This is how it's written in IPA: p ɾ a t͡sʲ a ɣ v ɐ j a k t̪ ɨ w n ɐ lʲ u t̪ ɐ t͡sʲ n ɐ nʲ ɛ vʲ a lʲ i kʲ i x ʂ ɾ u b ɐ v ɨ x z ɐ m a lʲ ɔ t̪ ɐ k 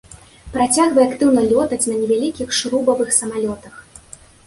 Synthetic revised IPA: p ɾ a t͡sʲ a ɣ v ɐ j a k t̪ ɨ w n ɐ lʲ ɔ t̪ ɐ t͡sʲ n ɐ nʲ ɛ vʲ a lʲ i kʲ i x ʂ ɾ u b ɐ v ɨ x s ɐ m a lʲ ɔ t̪ ɐ x

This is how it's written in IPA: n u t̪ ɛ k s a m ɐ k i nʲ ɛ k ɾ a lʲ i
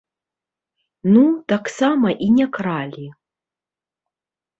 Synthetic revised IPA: n u t̪ a k s a m ɐ ʔ i nʲ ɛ k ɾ a lʲ i

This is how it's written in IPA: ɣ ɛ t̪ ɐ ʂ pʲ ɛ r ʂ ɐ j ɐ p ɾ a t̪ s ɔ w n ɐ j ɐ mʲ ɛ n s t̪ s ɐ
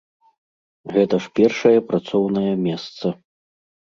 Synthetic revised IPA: ɣ ɛ t̪ ɐ ʂ pʲ ɛ r ʂ ɐ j ɐ p ɾ a t̪ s ɔ w n ɐ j ɐ mʲ ɛ s t̪ s ɐ

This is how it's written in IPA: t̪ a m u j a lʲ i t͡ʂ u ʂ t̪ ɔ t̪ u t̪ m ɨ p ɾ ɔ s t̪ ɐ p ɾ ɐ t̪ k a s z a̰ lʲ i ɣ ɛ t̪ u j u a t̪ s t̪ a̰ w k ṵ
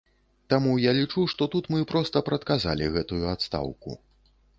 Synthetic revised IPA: t̪ a m u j a lʲ i t͡ʂ u ʂ t̪ ɔ t̪ u t̪ m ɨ p ɾ ɔ s t̪ ɐ p ɾ ɐ t̪ k a z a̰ lʲ i ɣ ɛ t̪ u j u a t̪ s t̪ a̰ w k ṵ

